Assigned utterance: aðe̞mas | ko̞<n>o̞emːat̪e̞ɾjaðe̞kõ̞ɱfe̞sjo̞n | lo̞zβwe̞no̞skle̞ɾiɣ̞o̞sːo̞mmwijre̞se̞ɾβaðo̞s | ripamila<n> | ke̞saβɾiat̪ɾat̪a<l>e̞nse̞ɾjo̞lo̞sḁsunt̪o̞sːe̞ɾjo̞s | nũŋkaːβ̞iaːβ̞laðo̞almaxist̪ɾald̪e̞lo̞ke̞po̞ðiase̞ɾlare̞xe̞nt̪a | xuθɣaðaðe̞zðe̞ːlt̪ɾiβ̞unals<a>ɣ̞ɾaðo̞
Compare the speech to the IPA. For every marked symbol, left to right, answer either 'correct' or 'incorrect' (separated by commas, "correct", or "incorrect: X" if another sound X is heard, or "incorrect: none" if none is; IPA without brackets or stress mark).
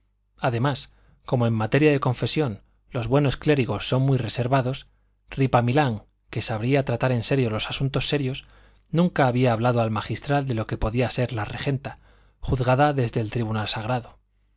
incorrect: m, incorrect: ŋ, incorrect: ɾ, correct